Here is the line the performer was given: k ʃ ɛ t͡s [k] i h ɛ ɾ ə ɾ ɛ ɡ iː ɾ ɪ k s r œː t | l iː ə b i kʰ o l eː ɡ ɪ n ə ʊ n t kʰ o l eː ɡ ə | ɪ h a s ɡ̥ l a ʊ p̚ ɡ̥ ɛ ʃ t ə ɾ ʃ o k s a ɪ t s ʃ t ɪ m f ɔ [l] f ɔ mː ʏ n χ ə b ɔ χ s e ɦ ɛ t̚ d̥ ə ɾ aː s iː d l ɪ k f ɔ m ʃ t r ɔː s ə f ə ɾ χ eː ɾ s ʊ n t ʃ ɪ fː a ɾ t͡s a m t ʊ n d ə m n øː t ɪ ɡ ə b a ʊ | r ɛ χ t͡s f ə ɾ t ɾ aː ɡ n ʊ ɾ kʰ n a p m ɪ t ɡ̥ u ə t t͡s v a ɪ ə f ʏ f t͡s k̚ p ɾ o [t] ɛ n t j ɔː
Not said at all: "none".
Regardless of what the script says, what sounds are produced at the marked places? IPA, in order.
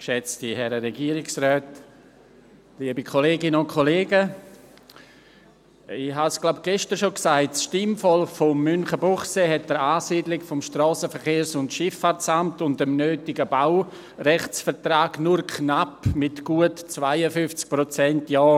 t, l, t͡s

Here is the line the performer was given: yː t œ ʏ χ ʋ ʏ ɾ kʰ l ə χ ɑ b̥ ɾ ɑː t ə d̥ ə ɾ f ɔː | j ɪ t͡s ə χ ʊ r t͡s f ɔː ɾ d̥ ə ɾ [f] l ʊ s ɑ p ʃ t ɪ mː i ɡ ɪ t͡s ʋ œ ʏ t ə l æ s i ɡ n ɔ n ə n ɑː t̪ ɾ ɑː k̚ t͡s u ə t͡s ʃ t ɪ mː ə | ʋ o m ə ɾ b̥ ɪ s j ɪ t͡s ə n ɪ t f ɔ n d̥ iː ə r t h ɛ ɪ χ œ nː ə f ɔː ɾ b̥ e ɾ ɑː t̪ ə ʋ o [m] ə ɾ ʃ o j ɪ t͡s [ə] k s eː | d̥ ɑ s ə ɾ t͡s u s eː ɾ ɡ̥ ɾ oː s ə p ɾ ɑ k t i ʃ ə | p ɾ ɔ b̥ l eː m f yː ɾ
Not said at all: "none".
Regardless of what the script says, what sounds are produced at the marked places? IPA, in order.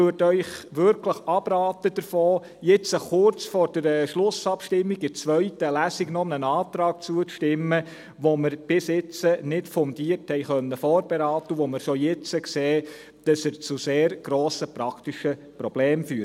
ʃ, m, ə

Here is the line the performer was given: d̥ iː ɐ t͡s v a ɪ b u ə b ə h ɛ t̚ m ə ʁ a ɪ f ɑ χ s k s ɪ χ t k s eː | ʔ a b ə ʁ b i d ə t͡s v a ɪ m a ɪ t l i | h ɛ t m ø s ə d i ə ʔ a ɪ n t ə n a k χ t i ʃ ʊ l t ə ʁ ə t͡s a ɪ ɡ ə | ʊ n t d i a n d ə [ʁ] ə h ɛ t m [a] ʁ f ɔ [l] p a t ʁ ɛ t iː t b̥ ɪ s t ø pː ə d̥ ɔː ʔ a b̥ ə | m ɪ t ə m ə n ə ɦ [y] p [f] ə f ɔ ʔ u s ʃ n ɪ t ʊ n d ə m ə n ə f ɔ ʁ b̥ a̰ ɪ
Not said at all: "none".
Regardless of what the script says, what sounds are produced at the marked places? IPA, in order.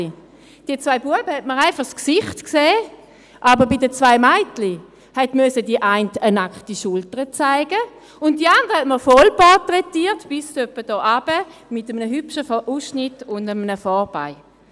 ʁ, ə, l, y, ʃ

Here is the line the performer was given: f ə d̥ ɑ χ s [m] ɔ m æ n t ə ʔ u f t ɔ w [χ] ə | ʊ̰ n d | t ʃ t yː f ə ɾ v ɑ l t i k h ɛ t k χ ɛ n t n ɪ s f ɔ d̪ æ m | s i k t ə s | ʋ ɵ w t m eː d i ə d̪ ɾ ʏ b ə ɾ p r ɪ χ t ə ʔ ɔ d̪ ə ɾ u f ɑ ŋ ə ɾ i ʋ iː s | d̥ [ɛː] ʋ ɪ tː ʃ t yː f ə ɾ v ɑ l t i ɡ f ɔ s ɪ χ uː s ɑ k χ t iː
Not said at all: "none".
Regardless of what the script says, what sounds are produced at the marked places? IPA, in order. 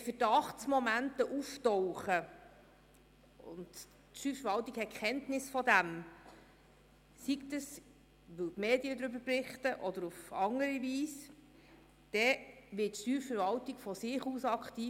m, χ, ɛ

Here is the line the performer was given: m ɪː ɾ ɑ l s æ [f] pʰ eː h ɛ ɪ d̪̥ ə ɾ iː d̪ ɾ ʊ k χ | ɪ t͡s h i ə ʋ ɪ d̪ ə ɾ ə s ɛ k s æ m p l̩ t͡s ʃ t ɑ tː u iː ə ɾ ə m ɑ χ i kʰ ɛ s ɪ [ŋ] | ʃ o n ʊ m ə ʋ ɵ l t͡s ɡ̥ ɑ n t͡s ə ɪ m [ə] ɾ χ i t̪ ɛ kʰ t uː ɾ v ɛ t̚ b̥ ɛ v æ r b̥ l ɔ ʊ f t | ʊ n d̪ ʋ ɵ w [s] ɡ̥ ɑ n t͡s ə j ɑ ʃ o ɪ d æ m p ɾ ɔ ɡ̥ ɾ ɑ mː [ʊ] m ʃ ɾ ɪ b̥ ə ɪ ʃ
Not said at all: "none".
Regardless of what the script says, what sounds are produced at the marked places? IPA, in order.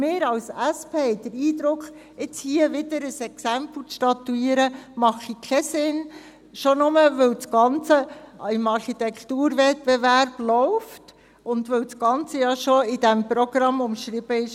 s, n, ɑ, s, ʊ

